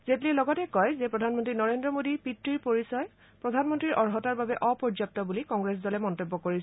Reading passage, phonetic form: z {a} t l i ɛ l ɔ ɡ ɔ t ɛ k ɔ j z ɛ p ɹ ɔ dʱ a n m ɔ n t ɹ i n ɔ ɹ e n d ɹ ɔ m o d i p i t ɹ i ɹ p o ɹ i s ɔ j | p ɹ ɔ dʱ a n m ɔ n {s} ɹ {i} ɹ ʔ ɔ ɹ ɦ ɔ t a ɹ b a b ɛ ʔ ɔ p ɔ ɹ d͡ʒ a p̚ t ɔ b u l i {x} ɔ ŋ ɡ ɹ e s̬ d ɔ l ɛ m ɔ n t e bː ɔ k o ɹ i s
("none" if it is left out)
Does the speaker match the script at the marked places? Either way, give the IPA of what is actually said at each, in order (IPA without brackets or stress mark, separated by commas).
e, t, i, k